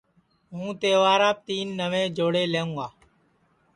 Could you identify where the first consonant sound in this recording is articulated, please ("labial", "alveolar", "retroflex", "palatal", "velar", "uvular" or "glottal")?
glottal